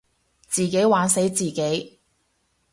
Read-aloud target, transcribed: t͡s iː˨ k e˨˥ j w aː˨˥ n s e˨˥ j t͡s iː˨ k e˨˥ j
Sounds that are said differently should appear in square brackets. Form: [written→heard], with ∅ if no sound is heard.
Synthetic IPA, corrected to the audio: t͡s iː˨ k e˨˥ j w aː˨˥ n s e˨˥ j t͡s iː˨ k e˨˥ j